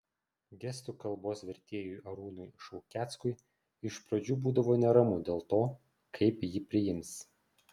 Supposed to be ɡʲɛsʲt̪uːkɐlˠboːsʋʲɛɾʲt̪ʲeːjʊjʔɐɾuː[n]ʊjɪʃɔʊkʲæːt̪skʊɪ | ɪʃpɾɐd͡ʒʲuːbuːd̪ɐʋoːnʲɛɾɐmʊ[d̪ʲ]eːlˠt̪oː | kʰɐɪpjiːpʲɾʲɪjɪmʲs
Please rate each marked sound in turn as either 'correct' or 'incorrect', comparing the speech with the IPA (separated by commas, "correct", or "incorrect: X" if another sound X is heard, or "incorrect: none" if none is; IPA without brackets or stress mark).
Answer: correct, correct